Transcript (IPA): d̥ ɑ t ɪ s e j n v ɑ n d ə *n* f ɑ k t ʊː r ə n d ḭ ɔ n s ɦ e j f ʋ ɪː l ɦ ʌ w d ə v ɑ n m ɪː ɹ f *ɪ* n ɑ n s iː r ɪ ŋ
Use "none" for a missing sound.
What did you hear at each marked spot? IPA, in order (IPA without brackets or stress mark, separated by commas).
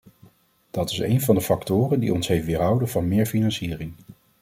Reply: none, i